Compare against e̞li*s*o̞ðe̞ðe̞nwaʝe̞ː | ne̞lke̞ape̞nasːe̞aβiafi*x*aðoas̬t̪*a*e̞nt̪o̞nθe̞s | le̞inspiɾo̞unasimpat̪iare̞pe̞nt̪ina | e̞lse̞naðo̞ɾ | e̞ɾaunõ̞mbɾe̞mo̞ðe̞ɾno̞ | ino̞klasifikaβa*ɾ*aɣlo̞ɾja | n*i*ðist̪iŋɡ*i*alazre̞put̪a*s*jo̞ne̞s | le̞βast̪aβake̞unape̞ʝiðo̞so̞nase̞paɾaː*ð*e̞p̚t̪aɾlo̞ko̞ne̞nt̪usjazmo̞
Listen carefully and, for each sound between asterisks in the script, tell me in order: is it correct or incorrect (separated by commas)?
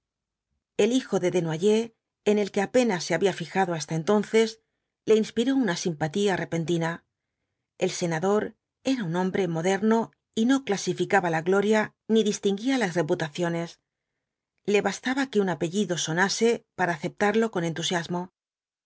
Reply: incorrect, correct, correct, incorrect, correct, correct, incorrect, incorrect